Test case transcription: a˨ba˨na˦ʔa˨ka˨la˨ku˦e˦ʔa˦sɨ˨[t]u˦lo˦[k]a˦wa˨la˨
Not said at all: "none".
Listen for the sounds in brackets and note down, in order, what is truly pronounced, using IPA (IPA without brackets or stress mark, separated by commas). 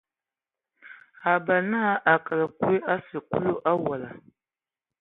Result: k, ʔ